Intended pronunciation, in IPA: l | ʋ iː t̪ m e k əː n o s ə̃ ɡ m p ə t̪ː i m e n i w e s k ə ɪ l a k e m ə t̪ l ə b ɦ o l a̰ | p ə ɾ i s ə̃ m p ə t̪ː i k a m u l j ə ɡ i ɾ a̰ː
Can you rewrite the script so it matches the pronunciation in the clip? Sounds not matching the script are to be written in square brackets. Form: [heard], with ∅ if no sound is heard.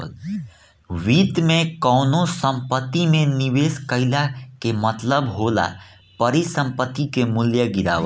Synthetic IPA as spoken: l | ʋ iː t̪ m e k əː n o s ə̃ [∅] m p ə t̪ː i m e n i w e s k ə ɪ l a k e m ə t̪ l ə b ɦ o l a̰ | p ə ɾ i s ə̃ m p ə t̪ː i k [e] m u l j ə ɡ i ɾ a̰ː